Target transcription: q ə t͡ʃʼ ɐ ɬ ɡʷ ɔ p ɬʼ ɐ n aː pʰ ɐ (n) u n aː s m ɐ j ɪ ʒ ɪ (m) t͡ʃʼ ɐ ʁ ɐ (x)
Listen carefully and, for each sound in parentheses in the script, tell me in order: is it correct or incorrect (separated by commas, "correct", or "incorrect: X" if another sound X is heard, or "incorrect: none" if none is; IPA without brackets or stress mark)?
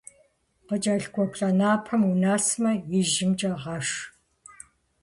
incorrect: m, correct, incorrect: ʂ